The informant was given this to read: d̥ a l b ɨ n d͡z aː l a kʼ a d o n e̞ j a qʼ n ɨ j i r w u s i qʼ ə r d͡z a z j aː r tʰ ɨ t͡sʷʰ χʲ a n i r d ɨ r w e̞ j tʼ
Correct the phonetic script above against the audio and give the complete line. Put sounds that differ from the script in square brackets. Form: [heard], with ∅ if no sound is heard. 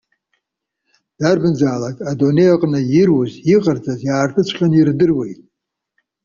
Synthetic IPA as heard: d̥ a [r] b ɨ n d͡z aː l a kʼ a d o n e̞ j a qʼ n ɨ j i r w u [z] i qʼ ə r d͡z a z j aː r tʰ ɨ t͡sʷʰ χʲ a n i r d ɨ r w e̞ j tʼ